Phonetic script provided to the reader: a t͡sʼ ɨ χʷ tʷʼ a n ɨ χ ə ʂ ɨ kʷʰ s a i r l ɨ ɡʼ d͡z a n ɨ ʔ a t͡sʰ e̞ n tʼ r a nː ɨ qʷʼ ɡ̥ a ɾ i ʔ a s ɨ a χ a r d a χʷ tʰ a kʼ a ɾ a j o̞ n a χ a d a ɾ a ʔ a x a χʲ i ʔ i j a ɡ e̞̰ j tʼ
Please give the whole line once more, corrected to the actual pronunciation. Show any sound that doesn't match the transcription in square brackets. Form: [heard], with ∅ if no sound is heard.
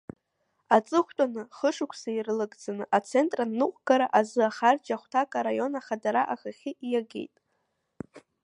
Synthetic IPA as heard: a t͡sʼ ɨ χʷ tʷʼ a n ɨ χ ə ʂ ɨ kʷʰ s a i r l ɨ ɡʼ d͡z a n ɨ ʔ a t͡sʰ e̞ n tʼ r a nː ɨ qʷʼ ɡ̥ a ɾ [a] ʔ a [z] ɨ a χ a r [d͡ʒ] a χʷ tʰ a kʼ a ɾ a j o̞ n a χ a d a ɾ a ʔ a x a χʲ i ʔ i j a ɡ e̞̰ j tʼ